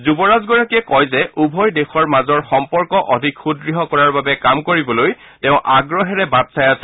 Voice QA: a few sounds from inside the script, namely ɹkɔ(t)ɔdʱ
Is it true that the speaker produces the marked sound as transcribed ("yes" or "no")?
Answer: no